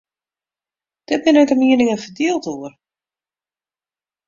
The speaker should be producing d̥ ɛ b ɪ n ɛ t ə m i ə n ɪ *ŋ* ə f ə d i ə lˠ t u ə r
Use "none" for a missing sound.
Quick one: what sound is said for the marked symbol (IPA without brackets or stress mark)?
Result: ŋ